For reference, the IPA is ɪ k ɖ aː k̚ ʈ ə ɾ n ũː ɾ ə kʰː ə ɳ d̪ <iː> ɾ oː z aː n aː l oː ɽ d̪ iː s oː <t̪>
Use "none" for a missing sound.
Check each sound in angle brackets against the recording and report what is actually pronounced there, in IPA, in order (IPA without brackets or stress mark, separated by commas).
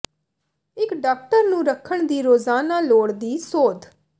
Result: iː, d̪